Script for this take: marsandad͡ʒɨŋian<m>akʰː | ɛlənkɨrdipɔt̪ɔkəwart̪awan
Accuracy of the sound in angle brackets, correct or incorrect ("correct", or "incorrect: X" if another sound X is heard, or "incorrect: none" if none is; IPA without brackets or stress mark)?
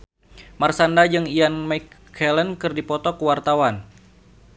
correct